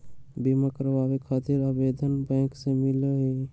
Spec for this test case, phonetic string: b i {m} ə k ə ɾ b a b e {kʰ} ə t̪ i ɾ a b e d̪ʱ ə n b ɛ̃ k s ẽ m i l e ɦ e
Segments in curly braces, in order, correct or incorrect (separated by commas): correct, correct